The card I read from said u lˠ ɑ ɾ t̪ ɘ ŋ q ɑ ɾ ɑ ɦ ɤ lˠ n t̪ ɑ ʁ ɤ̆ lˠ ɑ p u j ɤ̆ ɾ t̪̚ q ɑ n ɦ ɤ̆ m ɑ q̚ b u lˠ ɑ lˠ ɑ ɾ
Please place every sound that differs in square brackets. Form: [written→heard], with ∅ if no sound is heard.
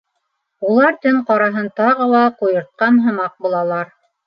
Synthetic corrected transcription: u lˠ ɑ ɾ t̪ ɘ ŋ q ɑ ɾ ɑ ɦ ɤ [lˠ→∅] n t̪ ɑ ʁ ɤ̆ lˠ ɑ [p→q] u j ɤ̆ ɾ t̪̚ q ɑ n ɦ ɤ̆ m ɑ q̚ b u lˠ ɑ lˠ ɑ ɾ